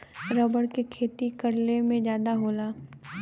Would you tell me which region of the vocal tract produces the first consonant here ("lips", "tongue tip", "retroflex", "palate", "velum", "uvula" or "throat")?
tongue tip